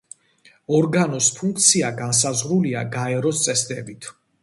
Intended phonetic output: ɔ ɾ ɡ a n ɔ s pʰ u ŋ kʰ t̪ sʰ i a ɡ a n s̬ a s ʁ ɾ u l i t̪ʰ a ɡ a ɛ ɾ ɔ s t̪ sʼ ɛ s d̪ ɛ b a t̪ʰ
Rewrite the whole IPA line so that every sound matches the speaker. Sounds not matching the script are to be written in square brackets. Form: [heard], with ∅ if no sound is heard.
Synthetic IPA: ɔ ɾ ɡ a n ɔ s pʰ u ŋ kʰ t̪ sʰ i a ɡ a n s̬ a [z] ʁ ɾ u l i [∅] a ɡ a ɛ ɾ ɔ s t̪ sʼ ɛ s d̪ ɛ b [i] t̪ʰ